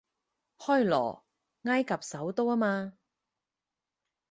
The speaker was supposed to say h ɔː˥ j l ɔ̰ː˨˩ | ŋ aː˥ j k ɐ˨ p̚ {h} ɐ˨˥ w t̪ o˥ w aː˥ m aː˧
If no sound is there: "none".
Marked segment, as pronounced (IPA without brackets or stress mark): s